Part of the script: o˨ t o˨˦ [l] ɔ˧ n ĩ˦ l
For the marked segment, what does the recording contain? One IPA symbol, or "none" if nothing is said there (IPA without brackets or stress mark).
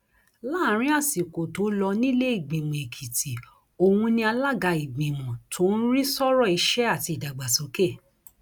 l